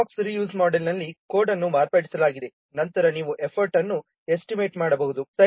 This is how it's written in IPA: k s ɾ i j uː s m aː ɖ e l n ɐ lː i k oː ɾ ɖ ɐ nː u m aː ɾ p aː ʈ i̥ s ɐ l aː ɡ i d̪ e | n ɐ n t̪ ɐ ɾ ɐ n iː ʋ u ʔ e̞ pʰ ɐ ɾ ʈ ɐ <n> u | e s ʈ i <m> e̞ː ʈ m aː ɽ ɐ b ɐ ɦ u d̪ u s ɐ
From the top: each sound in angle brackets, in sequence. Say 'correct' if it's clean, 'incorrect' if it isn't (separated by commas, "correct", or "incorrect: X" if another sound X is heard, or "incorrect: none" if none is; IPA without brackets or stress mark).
incorrect: nː, correct